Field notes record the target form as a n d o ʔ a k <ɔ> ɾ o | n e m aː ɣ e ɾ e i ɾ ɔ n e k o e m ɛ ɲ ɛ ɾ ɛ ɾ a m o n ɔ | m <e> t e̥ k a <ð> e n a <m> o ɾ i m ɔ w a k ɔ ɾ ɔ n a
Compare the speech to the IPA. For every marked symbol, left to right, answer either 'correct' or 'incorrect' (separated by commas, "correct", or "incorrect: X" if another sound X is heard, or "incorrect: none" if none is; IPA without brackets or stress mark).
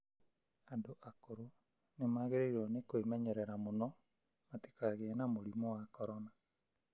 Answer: incorrect: o, incorrect: a, incorrect: ɣ, correct